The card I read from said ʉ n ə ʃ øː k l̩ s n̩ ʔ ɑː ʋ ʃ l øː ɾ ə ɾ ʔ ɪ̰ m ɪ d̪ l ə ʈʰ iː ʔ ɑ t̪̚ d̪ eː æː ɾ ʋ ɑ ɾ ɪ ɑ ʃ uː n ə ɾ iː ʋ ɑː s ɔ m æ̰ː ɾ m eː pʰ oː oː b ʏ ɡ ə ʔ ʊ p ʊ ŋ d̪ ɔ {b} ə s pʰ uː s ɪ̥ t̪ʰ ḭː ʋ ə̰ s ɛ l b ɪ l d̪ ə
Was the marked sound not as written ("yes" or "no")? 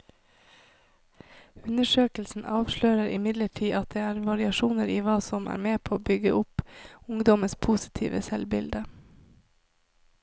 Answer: yes